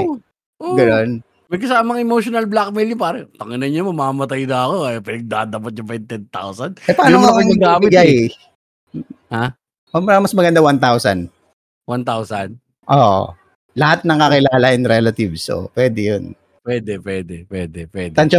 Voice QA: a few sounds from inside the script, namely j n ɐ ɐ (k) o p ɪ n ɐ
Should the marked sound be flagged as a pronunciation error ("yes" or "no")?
no